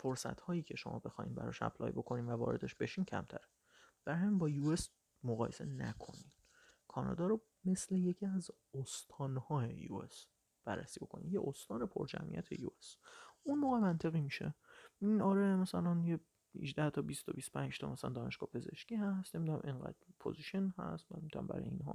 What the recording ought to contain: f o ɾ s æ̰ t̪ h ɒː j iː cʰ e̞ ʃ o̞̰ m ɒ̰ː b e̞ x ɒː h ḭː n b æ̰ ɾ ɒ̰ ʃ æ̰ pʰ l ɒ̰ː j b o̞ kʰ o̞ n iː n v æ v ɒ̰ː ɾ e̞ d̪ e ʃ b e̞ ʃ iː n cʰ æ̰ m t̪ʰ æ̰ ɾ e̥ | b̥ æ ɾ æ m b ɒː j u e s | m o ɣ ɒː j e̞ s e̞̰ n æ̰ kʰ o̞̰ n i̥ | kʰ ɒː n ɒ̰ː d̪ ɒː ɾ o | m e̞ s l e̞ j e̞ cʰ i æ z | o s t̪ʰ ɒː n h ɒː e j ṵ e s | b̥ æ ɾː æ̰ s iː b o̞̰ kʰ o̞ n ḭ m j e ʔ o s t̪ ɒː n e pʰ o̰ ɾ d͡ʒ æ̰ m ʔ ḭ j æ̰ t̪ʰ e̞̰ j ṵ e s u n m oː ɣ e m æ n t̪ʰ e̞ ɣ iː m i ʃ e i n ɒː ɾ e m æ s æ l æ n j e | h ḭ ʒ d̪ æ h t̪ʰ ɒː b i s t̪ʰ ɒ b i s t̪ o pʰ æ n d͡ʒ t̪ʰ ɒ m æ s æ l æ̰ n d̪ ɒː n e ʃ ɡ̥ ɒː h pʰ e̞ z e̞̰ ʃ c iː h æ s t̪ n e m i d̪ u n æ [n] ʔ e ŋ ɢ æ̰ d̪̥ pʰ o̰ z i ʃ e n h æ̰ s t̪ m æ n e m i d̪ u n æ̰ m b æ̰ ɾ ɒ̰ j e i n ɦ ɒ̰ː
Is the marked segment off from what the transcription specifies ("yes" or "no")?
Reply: yes